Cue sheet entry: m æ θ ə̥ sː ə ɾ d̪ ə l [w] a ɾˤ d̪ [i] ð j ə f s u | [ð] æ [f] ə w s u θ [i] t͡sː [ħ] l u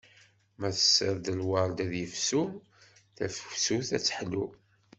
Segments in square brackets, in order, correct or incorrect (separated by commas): correct, incorrect, incorrect, correct, incorrect, correct